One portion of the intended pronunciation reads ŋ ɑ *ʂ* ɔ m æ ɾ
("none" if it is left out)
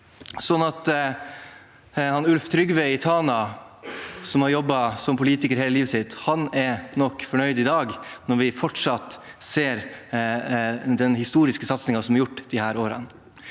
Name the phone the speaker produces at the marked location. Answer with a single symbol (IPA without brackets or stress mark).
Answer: s